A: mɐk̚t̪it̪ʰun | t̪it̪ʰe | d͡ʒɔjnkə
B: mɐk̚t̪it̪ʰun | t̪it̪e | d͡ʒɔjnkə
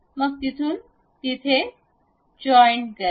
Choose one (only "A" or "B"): A